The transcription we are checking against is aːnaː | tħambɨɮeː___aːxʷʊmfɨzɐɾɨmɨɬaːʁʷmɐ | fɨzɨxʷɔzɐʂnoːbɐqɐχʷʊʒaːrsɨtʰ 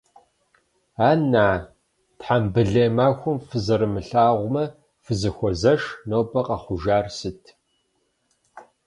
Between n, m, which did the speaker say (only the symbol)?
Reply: m